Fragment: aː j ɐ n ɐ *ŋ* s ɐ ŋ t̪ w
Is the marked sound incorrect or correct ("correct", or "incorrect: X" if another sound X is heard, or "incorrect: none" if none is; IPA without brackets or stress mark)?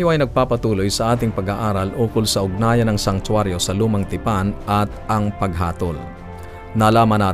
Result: correct